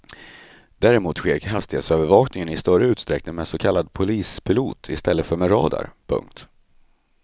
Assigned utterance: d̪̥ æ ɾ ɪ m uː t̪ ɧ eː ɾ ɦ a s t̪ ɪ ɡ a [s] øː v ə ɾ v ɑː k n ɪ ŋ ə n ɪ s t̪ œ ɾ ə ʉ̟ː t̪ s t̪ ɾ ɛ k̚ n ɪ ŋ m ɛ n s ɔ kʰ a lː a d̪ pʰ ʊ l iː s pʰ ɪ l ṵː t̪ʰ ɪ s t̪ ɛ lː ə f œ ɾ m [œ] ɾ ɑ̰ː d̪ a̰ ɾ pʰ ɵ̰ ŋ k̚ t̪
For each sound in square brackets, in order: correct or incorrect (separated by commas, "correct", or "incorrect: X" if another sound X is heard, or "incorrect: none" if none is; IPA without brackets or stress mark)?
correct, incorrect: ɛ